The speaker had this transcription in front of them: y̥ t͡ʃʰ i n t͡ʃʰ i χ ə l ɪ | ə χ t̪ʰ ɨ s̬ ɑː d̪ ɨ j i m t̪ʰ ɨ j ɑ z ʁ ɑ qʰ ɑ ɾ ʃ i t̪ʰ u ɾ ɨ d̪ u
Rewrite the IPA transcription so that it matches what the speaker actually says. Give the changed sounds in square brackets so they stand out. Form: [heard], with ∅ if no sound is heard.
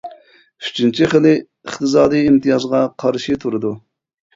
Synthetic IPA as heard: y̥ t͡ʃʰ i n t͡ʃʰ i χ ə l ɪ | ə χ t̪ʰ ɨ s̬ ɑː d̪ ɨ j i m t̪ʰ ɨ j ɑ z ʁ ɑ qʰ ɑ ɾ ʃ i t̪ʰ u ɾ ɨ d̪ u